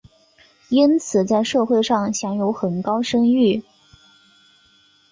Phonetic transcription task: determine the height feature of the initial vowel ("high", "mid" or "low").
high